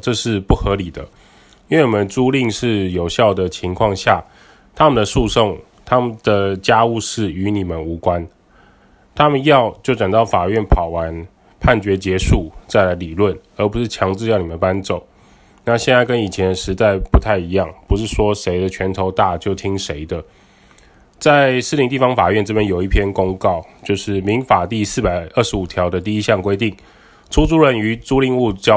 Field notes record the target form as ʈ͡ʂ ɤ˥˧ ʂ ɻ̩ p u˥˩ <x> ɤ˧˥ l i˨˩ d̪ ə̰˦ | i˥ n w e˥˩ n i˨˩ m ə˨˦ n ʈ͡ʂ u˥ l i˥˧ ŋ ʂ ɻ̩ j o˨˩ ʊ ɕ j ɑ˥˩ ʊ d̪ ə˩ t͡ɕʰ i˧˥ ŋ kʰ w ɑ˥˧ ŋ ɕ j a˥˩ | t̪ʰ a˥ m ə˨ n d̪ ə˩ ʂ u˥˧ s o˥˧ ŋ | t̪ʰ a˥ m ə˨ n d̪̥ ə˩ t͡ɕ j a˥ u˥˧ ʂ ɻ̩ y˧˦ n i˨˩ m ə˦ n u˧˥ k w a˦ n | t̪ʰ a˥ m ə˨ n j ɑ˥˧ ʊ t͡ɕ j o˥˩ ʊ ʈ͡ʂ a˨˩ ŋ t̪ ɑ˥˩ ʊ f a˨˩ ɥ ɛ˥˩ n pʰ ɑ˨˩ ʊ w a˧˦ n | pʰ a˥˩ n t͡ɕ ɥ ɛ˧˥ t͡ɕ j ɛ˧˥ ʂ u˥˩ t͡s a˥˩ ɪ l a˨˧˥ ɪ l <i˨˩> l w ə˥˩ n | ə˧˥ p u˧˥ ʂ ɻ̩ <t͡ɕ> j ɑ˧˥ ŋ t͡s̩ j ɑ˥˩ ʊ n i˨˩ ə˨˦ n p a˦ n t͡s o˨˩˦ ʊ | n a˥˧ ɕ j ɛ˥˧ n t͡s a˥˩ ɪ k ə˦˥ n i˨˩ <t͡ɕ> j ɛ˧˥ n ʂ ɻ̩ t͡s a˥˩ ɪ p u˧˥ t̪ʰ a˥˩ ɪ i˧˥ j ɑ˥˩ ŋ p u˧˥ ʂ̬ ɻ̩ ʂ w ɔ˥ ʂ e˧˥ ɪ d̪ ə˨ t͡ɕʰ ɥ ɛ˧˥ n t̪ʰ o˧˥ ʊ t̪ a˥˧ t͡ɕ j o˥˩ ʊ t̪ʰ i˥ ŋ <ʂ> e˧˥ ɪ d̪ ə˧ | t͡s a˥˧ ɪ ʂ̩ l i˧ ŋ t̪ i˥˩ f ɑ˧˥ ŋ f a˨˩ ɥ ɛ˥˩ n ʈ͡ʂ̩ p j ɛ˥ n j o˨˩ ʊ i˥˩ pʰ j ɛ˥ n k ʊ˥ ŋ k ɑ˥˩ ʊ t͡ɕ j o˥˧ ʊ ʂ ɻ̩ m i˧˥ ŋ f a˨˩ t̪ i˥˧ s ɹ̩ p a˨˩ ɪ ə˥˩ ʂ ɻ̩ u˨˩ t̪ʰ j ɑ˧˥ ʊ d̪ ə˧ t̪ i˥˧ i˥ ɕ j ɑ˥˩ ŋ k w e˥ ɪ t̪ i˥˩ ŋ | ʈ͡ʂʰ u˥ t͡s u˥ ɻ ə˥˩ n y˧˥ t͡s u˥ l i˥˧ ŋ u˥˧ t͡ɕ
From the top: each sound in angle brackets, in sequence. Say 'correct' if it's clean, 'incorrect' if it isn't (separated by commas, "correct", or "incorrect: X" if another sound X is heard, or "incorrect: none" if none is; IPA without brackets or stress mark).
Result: correct, correct, incorrect: t͡ɕʰ, incorrect: t͡ɕʰ, correct